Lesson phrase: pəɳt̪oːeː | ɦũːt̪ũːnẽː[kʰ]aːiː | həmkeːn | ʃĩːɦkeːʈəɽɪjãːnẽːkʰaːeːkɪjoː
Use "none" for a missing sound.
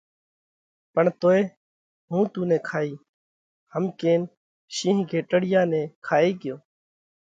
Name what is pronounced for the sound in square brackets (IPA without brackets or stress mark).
kʰ